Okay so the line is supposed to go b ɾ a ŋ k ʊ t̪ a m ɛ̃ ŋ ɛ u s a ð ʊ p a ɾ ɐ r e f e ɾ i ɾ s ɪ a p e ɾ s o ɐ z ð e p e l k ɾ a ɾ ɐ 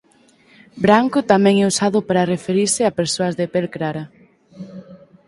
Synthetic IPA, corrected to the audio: b ɾ a ŋ k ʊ t̪ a m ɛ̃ ŋ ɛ u s a ð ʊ p a ɾ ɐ r e f e ɾ i ɾ s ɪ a p e ɾ s o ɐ z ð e p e l k ɾ a ɾ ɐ